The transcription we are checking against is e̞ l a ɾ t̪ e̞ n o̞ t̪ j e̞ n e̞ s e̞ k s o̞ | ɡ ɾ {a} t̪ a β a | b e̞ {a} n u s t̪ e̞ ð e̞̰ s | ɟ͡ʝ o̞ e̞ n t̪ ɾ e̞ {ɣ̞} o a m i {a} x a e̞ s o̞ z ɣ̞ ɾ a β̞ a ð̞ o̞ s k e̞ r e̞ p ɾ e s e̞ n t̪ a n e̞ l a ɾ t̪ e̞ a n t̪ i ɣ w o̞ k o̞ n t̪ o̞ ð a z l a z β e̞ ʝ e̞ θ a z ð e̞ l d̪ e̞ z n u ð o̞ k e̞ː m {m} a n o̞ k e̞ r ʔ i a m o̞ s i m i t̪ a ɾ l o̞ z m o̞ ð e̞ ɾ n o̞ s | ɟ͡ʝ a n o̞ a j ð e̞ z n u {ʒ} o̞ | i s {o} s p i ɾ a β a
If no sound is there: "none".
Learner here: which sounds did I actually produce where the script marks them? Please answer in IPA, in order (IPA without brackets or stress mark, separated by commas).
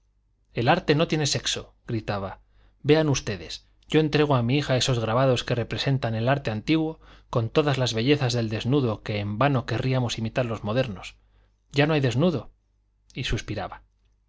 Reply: i, a, ɣ̞, i, b, ð, u